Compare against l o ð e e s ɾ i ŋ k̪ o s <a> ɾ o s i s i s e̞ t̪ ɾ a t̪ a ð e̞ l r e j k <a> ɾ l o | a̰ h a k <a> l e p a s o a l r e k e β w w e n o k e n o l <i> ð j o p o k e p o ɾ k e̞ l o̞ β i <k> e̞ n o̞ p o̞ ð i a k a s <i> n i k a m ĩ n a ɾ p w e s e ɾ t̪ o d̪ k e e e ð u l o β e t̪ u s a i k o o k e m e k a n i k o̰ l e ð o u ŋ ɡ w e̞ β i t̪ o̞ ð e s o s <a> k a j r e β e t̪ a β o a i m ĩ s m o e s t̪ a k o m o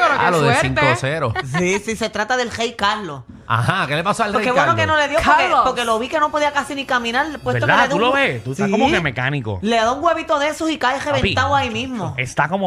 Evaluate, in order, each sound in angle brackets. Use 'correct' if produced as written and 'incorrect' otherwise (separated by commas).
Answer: incorrect, correct, incorrect, incorrect, correct, correct, incorrect